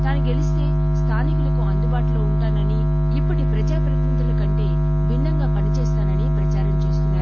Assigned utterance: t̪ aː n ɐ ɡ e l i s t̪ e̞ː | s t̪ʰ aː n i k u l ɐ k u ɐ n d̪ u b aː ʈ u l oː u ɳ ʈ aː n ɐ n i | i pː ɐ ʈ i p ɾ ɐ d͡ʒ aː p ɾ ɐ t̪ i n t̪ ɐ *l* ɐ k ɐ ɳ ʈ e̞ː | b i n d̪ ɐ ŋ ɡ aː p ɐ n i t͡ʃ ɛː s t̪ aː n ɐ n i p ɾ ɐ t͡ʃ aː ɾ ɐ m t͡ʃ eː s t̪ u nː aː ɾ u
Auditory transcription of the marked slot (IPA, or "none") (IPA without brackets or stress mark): l